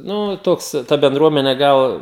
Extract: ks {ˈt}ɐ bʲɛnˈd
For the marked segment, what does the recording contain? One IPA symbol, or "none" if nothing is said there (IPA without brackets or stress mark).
t